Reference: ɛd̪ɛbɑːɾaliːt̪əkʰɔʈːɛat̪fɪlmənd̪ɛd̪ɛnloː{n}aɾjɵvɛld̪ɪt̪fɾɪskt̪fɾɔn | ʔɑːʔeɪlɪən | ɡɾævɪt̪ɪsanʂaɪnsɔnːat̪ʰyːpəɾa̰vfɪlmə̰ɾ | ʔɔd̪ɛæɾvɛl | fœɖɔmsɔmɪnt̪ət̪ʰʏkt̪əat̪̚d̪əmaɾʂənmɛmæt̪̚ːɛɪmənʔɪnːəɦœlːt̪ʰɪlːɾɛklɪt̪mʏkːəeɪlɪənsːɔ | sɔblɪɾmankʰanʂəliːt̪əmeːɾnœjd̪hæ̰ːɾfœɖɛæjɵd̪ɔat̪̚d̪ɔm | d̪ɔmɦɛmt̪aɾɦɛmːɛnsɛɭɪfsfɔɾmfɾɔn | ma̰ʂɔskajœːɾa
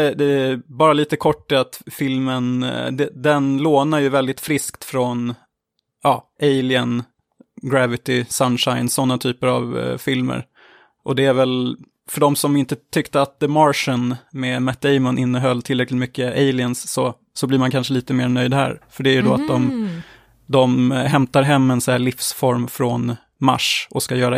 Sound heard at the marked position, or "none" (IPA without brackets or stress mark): n